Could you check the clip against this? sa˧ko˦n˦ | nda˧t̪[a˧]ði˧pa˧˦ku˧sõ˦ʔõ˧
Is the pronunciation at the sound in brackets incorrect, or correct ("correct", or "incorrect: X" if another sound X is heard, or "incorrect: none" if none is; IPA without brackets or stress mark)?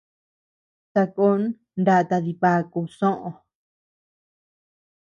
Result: correct